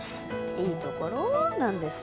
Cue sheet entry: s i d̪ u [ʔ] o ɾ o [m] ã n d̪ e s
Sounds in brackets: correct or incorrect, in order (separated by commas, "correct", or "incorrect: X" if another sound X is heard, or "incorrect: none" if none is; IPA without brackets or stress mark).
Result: incorrect: k, incorrect: n